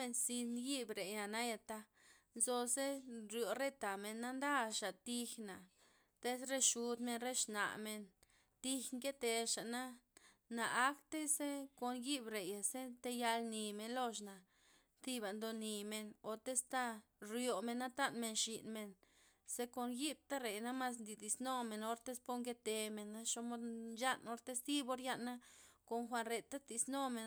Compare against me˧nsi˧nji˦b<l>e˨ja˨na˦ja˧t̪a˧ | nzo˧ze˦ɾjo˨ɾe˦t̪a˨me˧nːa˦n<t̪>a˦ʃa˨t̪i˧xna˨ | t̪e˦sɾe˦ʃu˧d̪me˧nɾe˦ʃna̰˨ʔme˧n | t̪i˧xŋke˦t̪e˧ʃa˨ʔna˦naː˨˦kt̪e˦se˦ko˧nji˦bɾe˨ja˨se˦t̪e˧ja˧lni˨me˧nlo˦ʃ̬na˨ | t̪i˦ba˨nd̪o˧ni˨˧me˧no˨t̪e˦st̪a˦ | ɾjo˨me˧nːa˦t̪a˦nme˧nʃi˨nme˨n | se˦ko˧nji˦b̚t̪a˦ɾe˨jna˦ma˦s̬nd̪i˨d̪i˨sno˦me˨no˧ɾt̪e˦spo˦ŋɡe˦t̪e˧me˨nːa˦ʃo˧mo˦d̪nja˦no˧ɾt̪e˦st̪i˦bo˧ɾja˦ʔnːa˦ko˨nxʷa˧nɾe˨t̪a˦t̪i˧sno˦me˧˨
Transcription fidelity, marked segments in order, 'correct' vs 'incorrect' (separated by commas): incorrect, incorrect